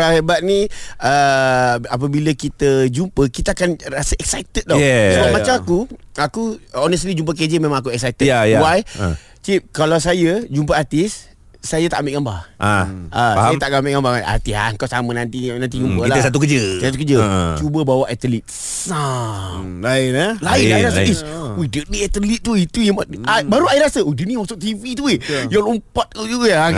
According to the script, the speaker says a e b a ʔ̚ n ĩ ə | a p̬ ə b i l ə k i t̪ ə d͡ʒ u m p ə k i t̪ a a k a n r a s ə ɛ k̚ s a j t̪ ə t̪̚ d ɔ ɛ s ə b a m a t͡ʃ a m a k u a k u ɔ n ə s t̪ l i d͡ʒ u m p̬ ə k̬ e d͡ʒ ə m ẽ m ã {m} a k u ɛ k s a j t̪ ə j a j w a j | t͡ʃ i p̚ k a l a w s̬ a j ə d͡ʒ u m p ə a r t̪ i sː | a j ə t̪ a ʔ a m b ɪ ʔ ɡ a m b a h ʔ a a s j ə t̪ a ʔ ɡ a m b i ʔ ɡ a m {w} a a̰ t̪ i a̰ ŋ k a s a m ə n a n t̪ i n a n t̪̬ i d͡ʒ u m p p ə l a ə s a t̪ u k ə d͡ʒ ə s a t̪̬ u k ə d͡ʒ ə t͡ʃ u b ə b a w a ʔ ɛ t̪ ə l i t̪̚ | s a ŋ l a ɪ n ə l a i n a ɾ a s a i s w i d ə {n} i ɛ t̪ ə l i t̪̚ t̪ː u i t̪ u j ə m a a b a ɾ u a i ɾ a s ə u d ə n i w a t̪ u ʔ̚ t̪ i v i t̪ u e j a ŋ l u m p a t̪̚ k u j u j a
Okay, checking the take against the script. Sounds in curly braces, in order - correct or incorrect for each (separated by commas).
incorrect, incorrect, correct